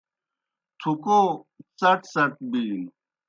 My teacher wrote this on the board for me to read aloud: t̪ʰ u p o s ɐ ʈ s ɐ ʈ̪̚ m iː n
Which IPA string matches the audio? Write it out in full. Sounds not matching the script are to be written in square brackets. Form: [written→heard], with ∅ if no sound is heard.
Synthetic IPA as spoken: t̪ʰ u [p→k] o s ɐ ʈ s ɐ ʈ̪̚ [m→b] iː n